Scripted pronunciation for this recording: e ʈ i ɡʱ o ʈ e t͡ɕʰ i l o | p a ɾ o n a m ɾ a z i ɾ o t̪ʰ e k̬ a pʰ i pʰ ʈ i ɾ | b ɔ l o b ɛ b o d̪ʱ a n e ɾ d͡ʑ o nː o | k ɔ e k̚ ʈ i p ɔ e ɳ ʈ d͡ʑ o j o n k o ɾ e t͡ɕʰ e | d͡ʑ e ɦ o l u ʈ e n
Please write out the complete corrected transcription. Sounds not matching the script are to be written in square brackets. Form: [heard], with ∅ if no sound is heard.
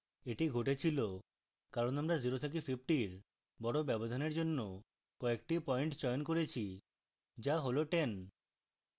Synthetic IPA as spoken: e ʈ i ɡʱ o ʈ e t͡ɕʰ i l o | [k] a ɾ o n a m ɾ a z i ɾ o t̪ʰ e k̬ [e] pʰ i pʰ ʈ i ɾ | b ɔ [ɽ] o b ɛ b o d̪ʱ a n e ɾ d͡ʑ o nː o | k ɔ e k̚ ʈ i p ɔ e ɳ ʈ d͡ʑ [ɔ] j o n k o ɾ e t͡ɕʰ [i] | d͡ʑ [a] ɦ o l [o] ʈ e n

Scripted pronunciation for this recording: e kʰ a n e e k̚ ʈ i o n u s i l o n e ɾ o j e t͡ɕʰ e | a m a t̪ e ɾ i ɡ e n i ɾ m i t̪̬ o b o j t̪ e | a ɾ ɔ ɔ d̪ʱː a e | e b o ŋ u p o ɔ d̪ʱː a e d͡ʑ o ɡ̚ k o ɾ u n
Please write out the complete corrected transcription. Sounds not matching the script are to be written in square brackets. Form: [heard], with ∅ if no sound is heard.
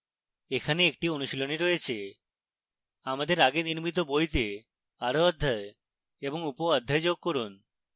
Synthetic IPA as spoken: e kʰ a n e e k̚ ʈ i o n u [ʃ] i l o n e ɾ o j e t͡ɕʰ e | a m a [d̪] e ɾ [a] ɡ e n i ɾ m i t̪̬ o b o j t̪ e | a ɾ [o] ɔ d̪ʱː a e | e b o ŋ u p o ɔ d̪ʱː a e d͡ʑ o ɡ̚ k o ɾ u n

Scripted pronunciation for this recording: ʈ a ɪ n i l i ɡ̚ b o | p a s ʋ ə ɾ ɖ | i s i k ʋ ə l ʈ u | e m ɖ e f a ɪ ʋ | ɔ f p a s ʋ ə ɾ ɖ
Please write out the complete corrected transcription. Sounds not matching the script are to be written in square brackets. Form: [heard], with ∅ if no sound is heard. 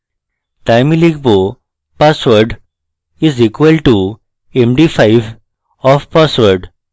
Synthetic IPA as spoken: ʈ a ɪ [m] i l i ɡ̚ b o | p a s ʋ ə ɾ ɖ | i [z] i k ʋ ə l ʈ u | e m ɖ [i] f a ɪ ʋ | ɔ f p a s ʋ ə ɾ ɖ

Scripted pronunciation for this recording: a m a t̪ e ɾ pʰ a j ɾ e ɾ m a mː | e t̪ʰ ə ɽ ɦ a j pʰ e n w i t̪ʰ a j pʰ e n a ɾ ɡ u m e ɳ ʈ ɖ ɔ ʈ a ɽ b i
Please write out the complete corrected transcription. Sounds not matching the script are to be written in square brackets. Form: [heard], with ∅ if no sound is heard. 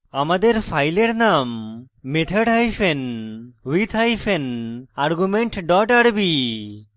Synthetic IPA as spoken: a m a [d̪] e ɾ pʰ a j [l] e ɾ [n] a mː | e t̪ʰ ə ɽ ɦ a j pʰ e n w i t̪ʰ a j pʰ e n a ɾ ɡ u m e ɳ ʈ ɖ ɔ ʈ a ɽ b i

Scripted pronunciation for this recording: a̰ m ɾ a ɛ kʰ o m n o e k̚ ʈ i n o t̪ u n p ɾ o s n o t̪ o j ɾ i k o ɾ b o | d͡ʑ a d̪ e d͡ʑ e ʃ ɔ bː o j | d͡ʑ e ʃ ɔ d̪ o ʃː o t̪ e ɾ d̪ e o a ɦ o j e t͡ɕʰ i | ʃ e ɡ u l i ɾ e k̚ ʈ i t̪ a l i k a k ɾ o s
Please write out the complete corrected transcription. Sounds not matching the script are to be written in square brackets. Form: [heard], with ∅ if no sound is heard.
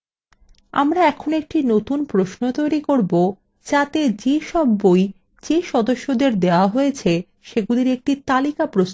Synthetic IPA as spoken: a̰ m ɾ a ɛ kʰ o [∅] n o e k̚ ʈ i n o t̪ u n p ɾ o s n o t̪ o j ɾ i k o ɾ b o | d͡ʑ a [t̪] e d͡ʑ e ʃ ɔ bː o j | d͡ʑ e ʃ ɔ d̪ o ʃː o [d̪] e ɾ d̪ e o a ɦ o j e t͡ɕʰ [e] | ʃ e ɡ u l i ɾ e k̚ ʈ i t̪ a l i k a [p] ɾ o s

